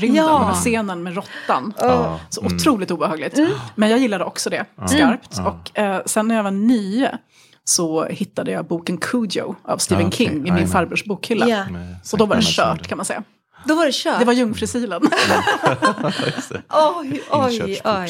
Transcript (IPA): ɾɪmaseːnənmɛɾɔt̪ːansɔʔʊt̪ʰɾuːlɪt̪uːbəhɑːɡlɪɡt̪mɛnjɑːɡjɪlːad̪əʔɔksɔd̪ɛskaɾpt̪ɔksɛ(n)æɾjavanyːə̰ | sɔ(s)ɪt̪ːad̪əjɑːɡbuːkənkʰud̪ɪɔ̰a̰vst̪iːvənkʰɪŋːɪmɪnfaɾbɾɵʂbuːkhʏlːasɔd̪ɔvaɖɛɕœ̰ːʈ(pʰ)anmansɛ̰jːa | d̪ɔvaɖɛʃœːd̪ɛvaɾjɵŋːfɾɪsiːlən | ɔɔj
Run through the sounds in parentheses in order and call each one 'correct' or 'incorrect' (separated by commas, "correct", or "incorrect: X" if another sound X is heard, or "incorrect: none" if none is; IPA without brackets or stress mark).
incorrect: nː, incorrect: h, incorrect: kʰ